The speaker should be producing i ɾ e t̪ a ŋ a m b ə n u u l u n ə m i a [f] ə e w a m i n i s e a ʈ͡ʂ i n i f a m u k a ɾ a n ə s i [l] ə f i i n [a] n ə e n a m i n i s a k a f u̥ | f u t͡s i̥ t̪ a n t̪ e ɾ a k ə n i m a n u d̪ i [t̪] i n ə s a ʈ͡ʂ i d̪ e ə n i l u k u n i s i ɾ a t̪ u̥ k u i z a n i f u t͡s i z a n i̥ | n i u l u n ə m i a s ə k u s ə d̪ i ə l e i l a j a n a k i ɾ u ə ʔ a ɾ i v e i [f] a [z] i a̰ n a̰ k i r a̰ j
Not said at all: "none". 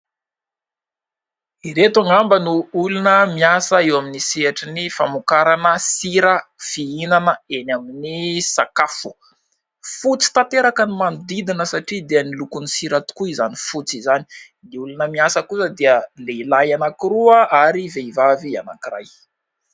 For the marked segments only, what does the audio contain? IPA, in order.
s, ɾ, a, d̪, v, v

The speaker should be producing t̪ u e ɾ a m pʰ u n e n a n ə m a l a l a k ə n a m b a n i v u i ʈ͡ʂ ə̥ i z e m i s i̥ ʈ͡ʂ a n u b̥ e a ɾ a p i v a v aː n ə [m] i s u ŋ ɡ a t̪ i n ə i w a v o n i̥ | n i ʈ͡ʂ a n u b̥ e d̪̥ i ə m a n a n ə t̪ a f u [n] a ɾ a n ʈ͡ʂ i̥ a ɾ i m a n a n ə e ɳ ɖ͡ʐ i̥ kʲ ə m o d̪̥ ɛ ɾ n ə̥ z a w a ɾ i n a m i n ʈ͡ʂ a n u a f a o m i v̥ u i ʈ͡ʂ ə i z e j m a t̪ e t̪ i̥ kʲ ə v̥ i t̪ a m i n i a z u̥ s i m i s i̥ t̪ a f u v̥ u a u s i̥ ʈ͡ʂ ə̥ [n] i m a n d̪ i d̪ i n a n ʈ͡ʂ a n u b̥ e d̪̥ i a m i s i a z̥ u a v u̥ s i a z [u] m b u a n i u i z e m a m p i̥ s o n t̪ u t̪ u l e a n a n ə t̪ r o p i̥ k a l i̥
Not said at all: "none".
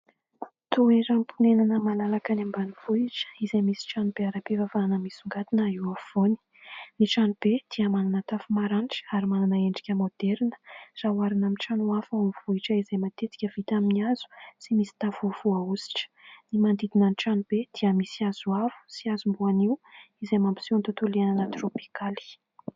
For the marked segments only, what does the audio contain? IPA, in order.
m, m, n, u

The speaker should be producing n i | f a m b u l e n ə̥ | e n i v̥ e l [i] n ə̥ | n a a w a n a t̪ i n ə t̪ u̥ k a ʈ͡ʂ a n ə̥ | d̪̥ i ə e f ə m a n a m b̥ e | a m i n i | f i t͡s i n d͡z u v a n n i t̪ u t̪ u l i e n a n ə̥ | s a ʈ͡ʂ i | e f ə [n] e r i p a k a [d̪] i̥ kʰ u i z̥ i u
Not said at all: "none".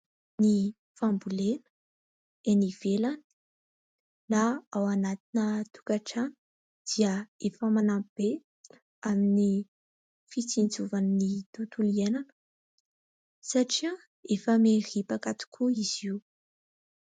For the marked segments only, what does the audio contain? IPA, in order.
a, m, t̪

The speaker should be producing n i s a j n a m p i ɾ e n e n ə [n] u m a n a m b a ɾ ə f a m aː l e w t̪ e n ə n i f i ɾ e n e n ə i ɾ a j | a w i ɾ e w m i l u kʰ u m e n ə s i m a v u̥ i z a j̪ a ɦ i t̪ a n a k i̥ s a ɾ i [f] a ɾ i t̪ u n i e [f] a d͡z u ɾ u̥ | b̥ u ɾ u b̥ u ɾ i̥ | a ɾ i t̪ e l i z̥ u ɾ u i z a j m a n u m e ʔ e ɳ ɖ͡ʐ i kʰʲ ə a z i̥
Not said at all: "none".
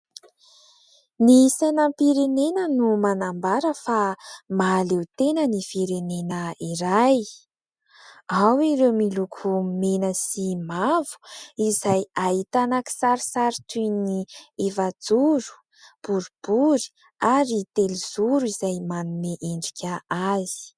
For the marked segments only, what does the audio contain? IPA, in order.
n, s, v

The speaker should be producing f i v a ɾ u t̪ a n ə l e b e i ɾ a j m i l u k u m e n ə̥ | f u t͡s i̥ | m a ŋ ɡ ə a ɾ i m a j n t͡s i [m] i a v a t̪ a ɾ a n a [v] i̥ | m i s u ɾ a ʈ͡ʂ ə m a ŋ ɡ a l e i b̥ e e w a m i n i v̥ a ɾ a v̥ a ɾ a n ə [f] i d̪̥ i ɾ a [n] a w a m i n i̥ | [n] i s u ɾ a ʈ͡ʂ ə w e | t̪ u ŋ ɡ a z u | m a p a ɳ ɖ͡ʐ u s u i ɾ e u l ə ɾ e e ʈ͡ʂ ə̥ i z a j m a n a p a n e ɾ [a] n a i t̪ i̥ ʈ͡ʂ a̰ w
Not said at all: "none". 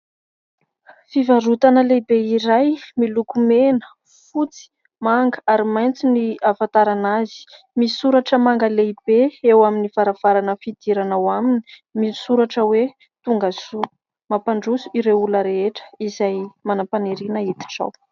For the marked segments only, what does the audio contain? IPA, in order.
n, z, f, n, m, i

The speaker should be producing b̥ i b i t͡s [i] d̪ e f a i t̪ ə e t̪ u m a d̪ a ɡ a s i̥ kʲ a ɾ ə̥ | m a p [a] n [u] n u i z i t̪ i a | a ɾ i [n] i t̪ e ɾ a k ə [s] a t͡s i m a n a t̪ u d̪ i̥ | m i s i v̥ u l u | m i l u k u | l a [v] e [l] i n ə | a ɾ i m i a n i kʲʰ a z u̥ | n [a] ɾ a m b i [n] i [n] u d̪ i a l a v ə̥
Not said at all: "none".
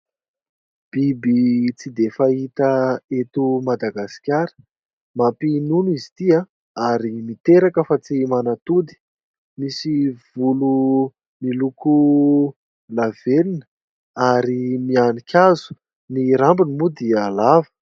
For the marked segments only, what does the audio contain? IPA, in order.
i, i, u, m, f, v, l, i, n, m

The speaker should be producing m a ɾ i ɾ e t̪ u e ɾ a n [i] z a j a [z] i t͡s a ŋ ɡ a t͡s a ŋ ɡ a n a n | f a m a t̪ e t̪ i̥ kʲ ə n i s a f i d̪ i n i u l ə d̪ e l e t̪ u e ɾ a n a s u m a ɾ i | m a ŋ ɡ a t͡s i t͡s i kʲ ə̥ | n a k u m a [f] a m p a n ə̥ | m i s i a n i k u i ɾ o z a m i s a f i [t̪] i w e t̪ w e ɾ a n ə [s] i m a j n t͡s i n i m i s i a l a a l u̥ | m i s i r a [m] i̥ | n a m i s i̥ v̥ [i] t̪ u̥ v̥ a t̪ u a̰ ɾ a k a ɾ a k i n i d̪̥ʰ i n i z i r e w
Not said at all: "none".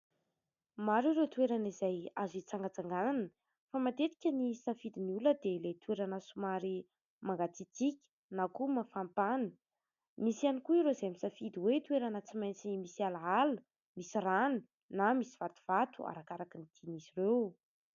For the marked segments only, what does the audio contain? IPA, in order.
i, z, f, d̪, t͡s, n, a

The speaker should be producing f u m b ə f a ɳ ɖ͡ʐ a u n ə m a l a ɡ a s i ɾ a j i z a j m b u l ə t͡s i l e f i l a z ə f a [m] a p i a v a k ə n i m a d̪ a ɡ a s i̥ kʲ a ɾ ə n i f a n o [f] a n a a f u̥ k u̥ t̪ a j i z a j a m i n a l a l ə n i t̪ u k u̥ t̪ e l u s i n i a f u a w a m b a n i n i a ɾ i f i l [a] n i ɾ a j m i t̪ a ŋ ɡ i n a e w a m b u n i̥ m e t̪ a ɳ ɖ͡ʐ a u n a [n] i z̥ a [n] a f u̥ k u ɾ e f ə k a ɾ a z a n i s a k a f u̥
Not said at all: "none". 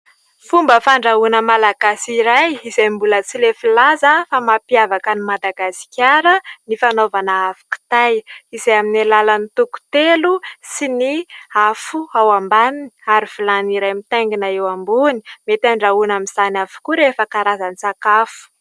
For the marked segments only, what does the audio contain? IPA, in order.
m, v, a, m, n

